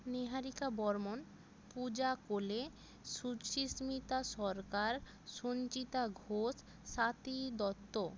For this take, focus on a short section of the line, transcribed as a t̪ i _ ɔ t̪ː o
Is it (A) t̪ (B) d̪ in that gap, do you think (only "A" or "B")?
B